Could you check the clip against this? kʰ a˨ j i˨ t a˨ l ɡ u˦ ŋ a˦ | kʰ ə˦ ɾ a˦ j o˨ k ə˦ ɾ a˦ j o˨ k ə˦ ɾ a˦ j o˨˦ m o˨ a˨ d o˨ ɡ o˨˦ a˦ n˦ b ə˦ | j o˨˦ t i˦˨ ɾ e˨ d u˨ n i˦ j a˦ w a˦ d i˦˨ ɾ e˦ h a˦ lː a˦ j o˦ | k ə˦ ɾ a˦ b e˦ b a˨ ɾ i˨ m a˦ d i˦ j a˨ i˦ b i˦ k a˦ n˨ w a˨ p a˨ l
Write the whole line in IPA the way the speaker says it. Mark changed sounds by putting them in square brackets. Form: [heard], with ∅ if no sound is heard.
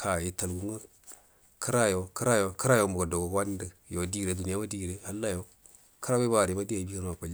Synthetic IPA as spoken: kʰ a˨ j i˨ t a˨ l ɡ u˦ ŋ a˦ | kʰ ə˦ ɾ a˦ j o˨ k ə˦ ɾ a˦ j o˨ k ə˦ ɾ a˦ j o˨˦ m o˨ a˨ d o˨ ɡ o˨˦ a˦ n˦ [d] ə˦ | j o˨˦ [d] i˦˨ ɾ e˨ d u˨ n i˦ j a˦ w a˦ d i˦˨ ɾ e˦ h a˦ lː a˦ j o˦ | k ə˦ ɾ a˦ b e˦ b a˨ ɾ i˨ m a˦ d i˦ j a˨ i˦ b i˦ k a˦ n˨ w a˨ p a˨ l